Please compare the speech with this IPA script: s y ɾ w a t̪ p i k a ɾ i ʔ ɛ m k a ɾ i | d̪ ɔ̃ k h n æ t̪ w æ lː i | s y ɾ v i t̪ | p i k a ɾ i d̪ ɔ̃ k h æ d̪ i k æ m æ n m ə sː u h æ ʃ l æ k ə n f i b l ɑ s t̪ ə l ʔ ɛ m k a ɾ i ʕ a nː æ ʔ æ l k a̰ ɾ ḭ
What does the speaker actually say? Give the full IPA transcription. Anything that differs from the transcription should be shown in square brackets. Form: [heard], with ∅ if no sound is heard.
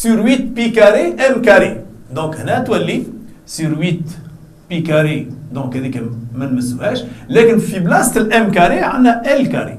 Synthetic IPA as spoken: s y ɾ w [i] t̪ p i k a ɾ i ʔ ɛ m k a ɾ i | d̪ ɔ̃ k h n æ t̪ w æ lː i | s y ɾ [w] i t̪ | p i k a ɾ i d̪ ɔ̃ k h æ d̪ i k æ m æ n m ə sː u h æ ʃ l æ k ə n f i b l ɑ s t̪ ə l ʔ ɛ m k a ɾ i ʕ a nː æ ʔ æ l k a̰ ɾ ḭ

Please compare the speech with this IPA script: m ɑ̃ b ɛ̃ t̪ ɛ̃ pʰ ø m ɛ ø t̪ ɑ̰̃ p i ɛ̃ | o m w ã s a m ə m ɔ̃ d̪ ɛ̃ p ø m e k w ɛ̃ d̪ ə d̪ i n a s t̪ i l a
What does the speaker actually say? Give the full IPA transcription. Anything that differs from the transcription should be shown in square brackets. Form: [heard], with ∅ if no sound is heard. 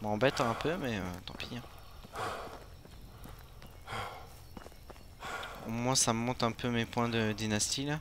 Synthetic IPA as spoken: m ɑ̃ b [ɛ] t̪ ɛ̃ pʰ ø m ɛ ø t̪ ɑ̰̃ p i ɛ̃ | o m w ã s a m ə m ɔ̃ [t̪] ɛ̃ p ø m e [p] w ɛ̃ d̪ ə d̪ i n a s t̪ i l a

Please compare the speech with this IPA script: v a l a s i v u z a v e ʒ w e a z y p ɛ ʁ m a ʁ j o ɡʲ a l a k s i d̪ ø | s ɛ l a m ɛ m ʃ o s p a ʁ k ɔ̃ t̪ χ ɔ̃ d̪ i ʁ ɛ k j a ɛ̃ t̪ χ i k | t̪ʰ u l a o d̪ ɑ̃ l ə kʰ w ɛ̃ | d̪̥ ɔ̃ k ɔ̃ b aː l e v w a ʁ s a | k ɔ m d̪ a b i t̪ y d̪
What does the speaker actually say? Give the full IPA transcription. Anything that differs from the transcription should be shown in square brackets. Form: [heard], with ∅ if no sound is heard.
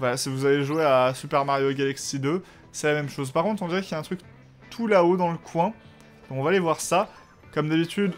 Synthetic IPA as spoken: v a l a s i v u z a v e ʒ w e a [s] y p ɛ ʁ m a ʁ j o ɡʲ a l a k s i d̪ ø | s ɛ l a m ɛ m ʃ o [z] p a ʁ k ɔ̃ t̪ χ ɔ̃ d̪ i ʁ ɛ k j a ɛ̃ t̪ χ [y] k | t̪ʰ u l a o d̪ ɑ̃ l ə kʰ w ɛ̃ | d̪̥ ɔ̃ k ɔ̃ [v] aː l e v w a ʁ s a | k ɔ m d̪ a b i t̪ y d̪

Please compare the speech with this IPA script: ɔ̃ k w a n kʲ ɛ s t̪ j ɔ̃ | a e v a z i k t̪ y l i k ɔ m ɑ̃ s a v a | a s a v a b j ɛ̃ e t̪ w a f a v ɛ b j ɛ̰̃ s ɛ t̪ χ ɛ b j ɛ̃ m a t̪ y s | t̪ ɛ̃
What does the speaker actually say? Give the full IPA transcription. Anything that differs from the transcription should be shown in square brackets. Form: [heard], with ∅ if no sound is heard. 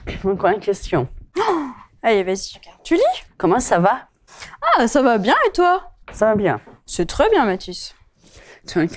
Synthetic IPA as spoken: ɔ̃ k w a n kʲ ɛ s t̪ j ɔ̃ | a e v a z i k t̪ y l i k ɔ m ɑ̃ s a v a | a s a v a b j ɛ̃ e t̪ w a [s] a v [a] b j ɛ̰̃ s ɛ t̪ χ ɛ b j ɛ̃ m a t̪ y s | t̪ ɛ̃

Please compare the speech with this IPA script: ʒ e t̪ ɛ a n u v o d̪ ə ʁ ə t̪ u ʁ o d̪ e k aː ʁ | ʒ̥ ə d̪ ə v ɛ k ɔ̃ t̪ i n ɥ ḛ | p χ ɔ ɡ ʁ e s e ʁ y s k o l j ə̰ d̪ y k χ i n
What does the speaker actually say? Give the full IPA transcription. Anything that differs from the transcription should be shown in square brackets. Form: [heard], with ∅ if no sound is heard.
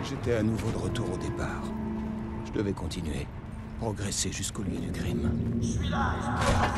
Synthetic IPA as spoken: ʒ e t̪ ɛ a n u v o d̪ ə ʁ ə t̪ u ʁ o d̪ e [p] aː ʁ | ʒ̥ ə d̪ ə v ɛ k ɔ̃ t̪ i n ɥ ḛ | p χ ɔ ɡ ʁ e s e [ʒ] y s k o l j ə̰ d̪ y k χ i [m]

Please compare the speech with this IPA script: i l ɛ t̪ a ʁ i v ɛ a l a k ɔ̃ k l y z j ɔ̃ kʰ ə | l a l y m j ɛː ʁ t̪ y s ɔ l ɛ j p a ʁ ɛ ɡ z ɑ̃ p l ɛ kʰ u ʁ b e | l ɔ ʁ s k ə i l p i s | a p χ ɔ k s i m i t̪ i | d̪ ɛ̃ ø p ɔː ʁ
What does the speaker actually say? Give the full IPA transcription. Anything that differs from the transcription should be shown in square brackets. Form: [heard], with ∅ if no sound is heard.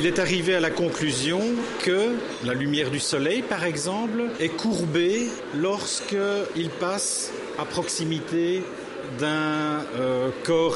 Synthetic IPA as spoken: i l ɛ t̪ a ʁ i v [e] a l a k ɔ̃ k l y z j ɔ̃ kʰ ə | l a l y m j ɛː ʁ [d̪] y s ɔ l ɛ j p a ʁ ɛ ɡ z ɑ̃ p l ɛ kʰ u ʁ b e | l ɔ ʁ s k ə i l p [a] s | a p χ ɔ k s i m i t̪ [e] | d̪ ɛ̃ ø [k] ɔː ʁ

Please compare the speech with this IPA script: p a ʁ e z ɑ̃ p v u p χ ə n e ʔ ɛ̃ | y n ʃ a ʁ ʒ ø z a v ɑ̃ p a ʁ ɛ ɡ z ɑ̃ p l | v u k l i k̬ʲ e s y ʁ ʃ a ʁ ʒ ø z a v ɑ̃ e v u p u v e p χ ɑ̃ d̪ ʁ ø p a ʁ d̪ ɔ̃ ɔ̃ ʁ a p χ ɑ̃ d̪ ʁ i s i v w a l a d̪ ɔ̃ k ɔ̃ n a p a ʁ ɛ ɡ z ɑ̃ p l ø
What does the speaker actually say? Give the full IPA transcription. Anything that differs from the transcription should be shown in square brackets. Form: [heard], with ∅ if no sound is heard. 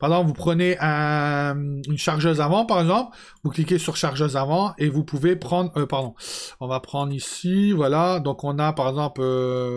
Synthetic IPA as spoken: p a ʁ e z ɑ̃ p v u p χ ə n e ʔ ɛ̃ | y n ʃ a ʁ ʒ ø z a v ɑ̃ p a ʁ ɛ ɡ z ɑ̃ p l | v u k l i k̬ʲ e s y ʁ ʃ a ʁ ʒ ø z a v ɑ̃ e v u p u v e p χ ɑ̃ d̪ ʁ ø p a ʁ d̪ ɔ̃ ɔ̃ [v] a p χ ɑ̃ d̪ ʁ i s i v w a l a d̪ ɔ̃ k ɔ̃ n a p a ʁ ɛ ɡ z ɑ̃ p l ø

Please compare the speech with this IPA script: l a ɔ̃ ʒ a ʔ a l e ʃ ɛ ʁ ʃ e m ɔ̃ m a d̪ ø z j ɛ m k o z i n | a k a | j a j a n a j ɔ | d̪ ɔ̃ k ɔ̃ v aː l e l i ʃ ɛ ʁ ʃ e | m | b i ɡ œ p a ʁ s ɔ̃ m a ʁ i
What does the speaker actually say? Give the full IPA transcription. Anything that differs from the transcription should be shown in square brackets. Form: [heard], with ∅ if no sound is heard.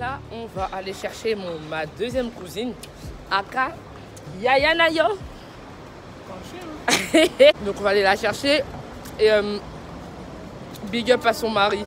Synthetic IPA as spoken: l a ɔ̃ [v] a ʔ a l e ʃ ɛ ʁ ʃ e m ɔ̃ m a d̪ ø z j ɛ m k [u] z i n | a k a | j a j a n a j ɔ | d̪ ɔ̃ k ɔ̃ v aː l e l [a] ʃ ɛ ʁ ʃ e | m | b i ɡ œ p a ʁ s ɔ̃ m a ʁ i

